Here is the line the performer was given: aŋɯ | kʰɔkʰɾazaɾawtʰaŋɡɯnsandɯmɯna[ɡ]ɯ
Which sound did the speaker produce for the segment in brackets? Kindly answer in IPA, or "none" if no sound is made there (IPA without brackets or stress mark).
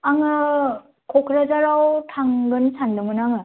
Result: ŋ